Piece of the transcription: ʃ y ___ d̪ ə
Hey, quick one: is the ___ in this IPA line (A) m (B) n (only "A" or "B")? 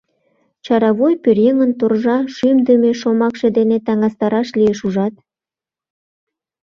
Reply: A